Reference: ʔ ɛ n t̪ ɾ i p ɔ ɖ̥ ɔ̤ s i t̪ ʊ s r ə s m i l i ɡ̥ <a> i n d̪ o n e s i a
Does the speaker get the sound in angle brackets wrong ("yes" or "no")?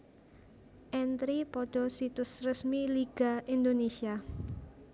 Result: no